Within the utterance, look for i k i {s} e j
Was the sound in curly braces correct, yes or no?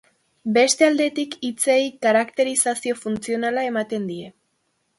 no